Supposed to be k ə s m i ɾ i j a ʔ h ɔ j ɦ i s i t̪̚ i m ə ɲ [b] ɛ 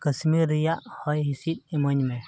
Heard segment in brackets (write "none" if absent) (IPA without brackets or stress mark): m